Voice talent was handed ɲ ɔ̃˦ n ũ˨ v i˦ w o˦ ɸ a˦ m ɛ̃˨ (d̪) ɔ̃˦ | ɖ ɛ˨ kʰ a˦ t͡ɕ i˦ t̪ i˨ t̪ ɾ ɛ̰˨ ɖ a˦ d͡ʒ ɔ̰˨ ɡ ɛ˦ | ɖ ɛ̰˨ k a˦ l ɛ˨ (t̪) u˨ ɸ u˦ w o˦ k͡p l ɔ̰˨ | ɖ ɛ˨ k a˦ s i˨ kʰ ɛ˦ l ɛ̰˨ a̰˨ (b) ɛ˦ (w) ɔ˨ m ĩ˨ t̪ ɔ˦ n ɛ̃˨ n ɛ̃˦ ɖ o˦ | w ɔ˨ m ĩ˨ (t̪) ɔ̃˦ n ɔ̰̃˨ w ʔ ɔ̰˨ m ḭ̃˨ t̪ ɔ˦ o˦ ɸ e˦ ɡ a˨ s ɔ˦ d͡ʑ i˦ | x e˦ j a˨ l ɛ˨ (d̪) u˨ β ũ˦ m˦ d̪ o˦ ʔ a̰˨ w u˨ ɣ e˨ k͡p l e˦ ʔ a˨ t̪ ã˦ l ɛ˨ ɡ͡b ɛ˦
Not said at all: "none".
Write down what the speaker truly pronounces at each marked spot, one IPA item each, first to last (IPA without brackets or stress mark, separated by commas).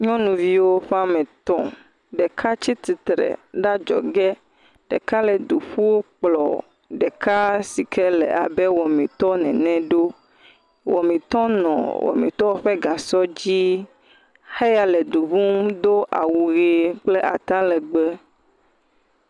t̪, d̪, b, w, t̪, d̪